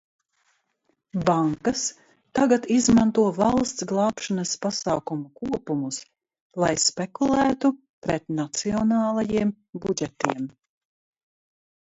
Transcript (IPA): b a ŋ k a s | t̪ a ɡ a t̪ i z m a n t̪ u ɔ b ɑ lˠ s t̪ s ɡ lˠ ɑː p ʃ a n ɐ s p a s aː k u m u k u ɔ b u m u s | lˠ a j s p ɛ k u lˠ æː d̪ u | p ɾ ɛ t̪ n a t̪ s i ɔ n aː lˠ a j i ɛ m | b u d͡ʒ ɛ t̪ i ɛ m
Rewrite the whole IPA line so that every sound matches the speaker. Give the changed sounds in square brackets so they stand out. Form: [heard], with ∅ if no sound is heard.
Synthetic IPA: b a ŋ k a s | t̪ a ɡ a t̪ i z m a n t̪ u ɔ [v] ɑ lˠ s t̪ s ɡ lˠ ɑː p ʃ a n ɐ s p a s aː k u m u k u ɔ [p] u m u s | lˠ a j s p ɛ k u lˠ æː [t̪] u | p ɾ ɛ t̪ n a t̪ s i ɔ n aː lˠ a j i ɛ m | b u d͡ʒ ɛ t̪ i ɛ m